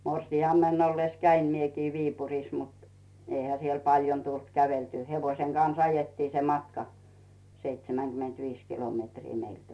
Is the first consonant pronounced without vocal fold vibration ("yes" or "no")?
no